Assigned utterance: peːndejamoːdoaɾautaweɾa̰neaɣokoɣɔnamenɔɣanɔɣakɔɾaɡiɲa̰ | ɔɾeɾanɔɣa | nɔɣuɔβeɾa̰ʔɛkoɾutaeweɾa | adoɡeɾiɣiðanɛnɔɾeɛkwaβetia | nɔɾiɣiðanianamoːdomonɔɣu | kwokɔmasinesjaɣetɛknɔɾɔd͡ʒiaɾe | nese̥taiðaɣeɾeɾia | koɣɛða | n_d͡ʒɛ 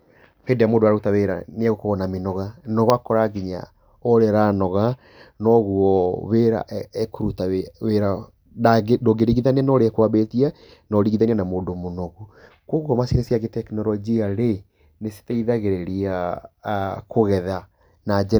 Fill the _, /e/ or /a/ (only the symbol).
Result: a